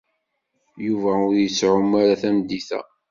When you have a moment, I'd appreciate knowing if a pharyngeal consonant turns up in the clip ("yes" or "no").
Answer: yes